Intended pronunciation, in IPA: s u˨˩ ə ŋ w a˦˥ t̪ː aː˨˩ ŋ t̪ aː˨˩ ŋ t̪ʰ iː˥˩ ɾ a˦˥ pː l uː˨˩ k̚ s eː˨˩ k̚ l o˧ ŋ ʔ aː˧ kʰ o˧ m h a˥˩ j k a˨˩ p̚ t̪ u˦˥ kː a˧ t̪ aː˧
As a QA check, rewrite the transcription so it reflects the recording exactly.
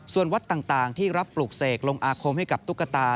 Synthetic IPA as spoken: s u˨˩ ə n w a˦˥ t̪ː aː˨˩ ŋ t̪ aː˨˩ ŋ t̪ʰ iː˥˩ ɾ a˦˥ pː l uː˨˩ k̚ s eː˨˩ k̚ l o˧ ŋ ʔ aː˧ kʰ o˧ m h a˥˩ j k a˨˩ p̚ t̪ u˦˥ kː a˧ t̪ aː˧

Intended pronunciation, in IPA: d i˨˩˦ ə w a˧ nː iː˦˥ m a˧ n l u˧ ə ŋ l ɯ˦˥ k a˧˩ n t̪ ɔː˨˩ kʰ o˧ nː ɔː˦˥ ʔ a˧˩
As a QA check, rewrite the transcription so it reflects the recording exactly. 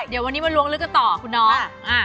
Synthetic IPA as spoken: d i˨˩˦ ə w a˧ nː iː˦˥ m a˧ n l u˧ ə ŋ l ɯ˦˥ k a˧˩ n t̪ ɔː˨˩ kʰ u˧ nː ɔː˦˥ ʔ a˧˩

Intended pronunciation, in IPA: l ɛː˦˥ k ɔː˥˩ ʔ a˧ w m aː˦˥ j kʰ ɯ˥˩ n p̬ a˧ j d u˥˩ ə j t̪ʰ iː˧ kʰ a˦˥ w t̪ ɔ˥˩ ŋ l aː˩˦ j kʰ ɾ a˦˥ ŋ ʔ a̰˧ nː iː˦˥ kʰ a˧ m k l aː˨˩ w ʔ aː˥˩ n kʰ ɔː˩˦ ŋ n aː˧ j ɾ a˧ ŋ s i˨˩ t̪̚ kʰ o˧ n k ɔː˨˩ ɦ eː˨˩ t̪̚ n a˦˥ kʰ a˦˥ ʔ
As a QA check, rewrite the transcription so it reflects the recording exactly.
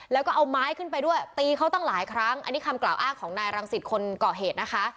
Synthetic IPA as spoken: l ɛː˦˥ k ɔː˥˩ ʔ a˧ w m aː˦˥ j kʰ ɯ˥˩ n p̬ a˧ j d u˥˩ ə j t̪ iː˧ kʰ a˦˥ w t̪ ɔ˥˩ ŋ l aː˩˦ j kʰ ɾ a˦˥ ŋ ʔ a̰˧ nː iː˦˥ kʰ a˧ m k l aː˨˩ w ʔ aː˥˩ ŋ kʰ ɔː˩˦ ŋ n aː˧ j ɾ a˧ ŋ s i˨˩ t̪̚ kʰ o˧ n k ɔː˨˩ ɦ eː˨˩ t̪̚ n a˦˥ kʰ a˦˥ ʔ

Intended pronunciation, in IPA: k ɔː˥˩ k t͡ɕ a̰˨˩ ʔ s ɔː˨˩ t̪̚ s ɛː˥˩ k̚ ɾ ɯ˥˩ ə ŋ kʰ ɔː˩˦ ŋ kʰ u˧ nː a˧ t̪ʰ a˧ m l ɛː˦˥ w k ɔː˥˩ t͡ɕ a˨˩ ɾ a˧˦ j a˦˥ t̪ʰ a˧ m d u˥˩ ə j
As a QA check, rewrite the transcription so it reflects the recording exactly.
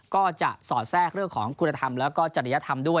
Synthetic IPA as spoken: k ɔː˥˩ t͡ɕ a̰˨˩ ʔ s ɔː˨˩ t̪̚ s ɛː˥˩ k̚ ɾ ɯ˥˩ ə ŋ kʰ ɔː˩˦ ŋ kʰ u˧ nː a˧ t̪ʰ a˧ m l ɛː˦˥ w k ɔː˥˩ t͡ɕ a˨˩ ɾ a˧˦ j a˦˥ t̪ʰ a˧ m d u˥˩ ə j

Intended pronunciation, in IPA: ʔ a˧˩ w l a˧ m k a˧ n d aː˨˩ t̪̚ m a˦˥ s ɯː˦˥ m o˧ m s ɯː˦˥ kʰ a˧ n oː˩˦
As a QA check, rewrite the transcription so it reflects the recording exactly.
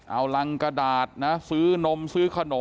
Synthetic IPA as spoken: ʔ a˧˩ w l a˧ ŋ k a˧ d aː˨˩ t̪̚ n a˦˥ s ɯː˦˥ n o˧ m s ɯː˦˥ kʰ a˧ n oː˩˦

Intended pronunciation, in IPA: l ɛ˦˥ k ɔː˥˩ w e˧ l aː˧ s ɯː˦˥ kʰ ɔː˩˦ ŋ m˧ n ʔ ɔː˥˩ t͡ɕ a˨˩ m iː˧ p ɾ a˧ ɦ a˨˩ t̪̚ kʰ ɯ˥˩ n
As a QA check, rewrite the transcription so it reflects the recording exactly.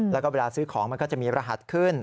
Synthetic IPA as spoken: l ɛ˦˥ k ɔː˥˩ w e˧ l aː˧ s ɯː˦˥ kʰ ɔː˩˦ ŋ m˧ n k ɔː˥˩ t͡ɕ a˨˩ m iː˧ p ɾ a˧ ɦ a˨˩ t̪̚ kʰ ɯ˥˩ n

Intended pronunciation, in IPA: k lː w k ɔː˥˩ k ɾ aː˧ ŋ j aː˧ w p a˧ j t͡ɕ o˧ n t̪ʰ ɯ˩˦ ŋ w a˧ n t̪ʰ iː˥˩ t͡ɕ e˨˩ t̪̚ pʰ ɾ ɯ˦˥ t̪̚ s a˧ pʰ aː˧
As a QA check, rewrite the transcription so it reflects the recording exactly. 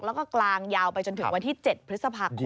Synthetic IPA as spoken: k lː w k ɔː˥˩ k l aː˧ ŋ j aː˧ w p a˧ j t͡ɕ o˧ n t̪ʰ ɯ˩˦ ŋ w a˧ n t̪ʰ iː˥˩ t͡ɕ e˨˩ t̪̚ pʰ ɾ ɯ˦˥ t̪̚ s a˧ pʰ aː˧

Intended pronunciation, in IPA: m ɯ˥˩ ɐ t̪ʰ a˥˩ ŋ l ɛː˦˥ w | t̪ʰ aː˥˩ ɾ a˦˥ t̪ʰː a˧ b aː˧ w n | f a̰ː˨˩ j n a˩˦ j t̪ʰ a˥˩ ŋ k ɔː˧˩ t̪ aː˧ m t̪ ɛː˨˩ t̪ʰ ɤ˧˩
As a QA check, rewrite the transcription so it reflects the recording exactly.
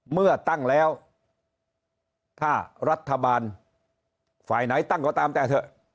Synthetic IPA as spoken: m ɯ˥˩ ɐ t̪ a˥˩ ŋ l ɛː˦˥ w | t̪ʰ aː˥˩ ɾ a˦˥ t̪ʰː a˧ b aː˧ n | f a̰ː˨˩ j n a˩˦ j t̪ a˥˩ ŋ k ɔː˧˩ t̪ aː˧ m t̪ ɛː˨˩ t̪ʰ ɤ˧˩

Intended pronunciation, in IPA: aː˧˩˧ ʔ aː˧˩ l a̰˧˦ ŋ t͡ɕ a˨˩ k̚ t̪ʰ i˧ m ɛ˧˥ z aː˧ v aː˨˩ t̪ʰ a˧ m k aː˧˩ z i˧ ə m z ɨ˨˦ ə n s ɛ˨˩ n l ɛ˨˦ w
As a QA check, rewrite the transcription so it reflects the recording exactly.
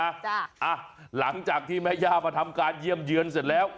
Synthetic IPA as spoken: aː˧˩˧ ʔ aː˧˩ l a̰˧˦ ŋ t͡ɕ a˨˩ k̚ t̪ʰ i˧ m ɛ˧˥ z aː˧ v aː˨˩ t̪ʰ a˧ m k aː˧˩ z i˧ ə m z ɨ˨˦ ə n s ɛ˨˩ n l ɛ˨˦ w

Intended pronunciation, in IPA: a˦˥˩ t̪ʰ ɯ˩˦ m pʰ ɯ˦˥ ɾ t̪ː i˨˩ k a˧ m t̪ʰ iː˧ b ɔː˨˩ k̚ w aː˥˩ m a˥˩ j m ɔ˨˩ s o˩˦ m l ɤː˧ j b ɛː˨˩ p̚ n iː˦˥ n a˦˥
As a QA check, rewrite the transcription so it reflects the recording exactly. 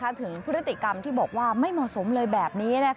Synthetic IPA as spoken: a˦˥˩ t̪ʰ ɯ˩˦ ŋ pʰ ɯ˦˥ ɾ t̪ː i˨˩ k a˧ m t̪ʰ iː˥˩ b ɔː˨˩ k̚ w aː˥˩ m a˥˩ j m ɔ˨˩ s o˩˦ m l ɤː˧ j b ɛː˨˩ p̚ n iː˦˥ n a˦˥

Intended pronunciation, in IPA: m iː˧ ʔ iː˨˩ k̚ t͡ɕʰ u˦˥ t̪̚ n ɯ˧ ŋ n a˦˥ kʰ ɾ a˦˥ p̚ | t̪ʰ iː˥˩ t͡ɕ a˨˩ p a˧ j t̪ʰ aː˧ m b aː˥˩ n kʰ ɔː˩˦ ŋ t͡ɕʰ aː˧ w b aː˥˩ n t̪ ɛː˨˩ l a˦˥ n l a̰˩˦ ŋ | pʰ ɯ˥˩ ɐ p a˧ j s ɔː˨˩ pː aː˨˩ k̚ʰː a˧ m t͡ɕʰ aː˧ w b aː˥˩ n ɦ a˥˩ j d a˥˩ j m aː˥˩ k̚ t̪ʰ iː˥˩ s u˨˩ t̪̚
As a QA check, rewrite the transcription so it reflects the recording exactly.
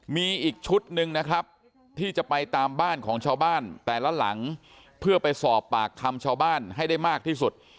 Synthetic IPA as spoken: m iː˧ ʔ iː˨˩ k̚ t͡ɕʰ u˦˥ t̪̚ n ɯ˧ ŋ n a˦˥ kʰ ɾ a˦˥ p̚ | t̪ʰ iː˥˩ t͡ɕ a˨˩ p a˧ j t̪ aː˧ m b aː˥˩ n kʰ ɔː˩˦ ŋ t͡ɕʰ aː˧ w b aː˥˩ n t̪ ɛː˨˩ l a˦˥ l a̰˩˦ ŋ | pʰ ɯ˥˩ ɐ p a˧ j s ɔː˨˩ pː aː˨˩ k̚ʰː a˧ m t͡ɕʰ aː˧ w b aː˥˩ n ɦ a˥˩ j d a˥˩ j m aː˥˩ k̚ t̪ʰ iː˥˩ s u˨˩ t̪̚

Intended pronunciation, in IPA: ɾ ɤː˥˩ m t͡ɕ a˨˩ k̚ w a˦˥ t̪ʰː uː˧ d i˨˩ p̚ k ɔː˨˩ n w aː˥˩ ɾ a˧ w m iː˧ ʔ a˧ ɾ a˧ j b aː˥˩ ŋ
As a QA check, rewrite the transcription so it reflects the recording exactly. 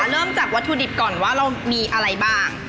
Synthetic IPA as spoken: ɾ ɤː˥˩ m t͡ɕ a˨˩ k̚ w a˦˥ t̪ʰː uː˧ d i˨˩ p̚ k ɔː˨˩ n w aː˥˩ ɾ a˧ w m iː˧ ʔ a˧ ɾ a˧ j b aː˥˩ ŋ

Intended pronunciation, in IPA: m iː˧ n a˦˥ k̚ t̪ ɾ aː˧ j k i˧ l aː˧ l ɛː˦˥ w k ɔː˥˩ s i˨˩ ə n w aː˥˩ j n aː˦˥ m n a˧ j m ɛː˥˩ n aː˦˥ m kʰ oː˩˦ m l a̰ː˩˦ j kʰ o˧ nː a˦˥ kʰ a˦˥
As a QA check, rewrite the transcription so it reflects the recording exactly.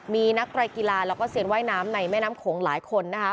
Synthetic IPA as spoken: m iː˧ n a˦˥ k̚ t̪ ɾ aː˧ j k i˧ l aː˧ l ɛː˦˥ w k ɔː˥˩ s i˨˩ ə n w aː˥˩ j n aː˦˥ m n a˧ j m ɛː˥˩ n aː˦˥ m kʰ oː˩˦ ŋ l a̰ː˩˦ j kʰ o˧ nː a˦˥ kʰ a˦˥

